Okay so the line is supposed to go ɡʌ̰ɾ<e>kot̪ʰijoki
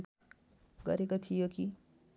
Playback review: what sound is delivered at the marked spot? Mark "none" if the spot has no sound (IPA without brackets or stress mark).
e